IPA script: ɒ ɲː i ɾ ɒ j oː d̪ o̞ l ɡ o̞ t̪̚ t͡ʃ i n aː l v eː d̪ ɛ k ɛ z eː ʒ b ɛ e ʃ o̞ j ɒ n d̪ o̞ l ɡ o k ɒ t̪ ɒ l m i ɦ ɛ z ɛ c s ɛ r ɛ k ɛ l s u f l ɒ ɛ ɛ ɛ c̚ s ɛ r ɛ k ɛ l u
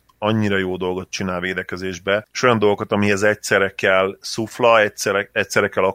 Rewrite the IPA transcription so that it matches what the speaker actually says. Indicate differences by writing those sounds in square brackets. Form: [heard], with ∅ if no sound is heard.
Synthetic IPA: ɒ ɲː i ɾ ɒ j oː d̪ o̞ l ɡ o̞ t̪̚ t͡ʃ i n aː l v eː d̪ ɛ k ɛ z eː ʒ b ɛ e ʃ o̞ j ɒ n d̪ o̞ l ɡ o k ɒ t̪ ɒ [∅] m i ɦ ɛ z ɛ c s ɛ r ɛ k ɛ l s u f l ɒ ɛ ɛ ɛ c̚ s ɛ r ɛ k ɛ l [ɒ]